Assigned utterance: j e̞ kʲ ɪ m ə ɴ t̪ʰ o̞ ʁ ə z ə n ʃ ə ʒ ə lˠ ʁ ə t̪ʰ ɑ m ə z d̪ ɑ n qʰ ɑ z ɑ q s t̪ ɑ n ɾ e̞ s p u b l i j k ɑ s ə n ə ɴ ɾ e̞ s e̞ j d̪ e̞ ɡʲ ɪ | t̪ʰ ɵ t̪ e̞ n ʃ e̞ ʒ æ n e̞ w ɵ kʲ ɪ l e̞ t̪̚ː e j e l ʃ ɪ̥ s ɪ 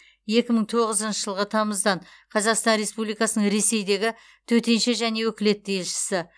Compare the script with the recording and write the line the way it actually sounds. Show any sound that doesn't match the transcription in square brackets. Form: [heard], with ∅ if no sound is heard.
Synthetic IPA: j e̞ kʲ ɪ m ə ɴ t̪ʰ o̞ ʁ ə z ə n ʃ ə ʒ ə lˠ ʁ ə t̪ʰ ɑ m ə z d̪ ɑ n qʰ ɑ z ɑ q s t̪ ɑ n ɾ e̞ s p u b l i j k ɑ s ə n ə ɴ ɾ e̞ s e̞ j d̪ e̞ ɡʲ ɪ | t̪ʰ ɵ t̪ e̞ n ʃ e̞ ʒ æ n e̞ w ɵ kʲ ɪ l e̞ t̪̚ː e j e l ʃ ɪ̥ s ɪ